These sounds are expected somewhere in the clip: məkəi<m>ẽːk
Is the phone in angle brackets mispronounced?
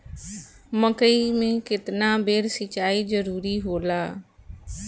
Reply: no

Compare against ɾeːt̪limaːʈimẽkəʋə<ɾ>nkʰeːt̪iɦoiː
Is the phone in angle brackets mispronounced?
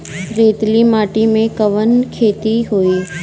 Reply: yes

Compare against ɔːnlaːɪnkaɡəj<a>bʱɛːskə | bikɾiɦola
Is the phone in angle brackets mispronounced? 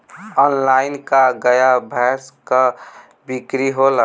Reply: no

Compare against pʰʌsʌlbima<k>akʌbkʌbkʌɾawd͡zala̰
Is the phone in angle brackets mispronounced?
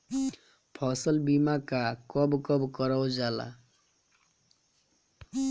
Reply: no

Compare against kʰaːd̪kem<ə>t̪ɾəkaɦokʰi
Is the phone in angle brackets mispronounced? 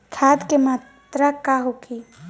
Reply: yes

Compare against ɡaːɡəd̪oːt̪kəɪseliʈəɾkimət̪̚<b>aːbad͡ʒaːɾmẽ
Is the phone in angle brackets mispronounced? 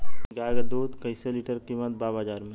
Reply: no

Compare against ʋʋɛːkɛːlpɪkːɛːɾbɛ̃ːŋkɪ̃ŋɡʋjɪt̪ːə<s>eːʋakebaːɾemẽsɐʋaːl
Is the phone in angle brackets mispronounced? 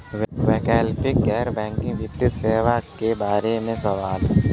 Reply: no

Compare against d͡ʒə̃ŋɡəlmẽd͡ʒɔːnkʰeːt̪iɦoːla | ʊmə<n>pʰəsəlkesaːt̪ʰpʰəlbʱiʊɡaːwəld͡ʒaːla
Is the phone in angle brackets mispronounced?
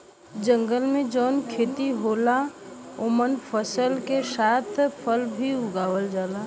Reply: no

